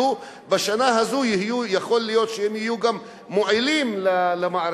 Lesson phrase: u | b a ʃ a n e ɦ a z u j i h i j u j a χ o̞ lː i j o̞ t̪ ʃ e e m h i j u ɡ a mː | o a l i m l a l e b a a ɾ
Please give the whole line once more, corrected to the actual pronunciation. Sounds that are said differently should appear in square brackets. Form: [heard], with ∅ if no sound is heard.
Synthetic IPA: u | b a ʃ a n [a] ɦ a z u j i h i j u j a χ o̞ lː i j o̞ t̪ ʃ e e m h i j u ɡ a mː | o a l i m l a l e [m] a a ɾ